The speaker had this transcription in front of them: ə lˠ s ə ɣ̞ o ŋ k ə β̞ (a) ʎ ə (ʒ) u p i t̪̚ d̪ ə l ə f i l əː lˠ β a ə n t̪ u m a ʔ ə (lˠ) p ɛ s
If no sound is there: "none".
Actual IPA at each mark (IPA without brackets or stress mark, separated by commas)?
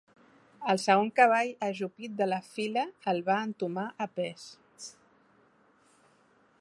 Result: a, ʒ, none